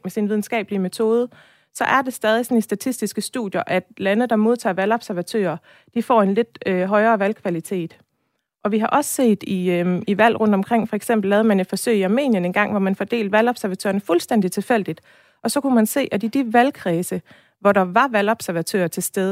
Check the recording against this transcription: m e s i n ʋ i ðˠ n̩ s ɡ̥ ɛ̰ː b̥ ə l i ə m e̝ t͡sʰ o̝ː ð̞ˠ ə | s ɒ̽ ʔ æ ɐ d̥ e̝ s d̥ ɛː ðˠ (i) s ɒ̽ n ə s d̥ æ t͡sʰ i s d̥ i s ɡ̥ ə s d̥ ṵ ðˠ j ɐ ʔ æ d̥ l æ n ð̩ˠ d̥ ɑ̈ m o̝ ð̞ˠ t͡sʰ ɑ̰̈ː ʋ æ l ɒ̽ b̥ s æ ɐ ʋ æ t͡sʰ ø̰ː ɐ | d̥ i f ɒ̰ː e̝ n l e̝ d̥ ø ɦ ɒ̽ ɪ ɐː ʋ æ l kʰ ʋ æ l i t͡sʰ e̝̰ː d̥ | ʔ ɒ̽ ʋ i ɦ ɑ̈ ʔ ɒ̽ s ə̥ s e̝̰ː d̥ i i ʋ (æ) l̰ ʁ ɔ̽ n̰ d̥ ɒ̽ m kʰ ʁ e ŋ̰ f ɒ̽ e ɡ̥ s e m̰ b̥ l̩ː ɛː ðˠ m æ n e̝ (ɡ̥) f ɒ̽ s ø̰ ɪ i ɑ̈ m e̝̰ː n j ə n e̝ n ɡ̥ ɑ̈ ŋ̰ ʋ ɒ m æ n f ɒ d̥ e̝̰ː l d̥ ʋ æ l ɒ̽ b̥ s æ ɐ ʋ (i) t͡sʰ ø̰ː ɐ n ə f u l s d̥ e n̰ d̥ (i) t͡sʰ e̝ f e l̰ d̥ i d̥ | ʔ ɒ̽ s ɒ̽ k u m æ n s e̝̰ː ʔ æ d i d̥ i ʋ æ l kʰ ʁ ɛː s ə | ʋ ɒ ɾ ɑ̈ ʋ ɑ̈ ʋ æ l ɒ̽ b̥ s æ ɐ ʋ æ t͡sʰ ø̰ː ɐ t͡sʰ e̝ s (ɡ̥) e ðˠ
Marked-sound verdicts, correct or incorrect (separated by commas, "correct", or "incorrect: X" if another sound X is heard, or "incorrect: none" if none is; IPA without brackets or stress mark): correct, correct, incorrect: d̥, incorrect: æ, correct, incorrect: d̥